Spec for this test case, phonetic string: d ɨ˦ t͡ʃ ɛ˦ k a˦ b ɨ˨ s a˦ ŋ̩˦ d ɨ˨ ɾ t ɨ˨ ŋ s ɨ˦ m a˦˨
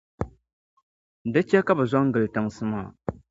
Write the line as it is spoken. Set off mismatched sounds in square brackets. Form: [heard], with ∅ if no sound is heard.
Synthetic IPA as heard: d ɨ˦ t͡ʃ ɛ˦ k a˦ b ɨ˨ [z] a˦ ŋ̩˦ [ɡ] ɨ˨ [l] t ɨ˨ ŋ s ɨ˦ m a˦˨